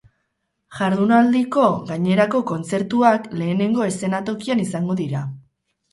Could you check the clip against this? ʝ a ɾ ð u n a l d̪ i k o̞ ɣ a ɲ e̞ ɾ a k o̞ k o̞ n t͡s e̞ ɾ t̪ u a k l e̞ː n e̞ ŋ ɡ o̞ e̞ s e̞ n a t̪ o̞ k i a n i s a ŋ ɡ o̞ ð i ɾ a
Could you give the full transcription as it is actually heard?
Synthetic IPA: ʝ a ɾ ð u n a l d̪ i k o̞ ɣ a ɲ e̞ ɾ a k o̞ k o̞ n t͡s e̞ ɾ t̪ u a k l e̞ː n e̞ ŋ ɡ o̞ e̞ s e̞ n a t̪ o̞ k i a n i s a ŋ ɡ o̞ ð i ɾ a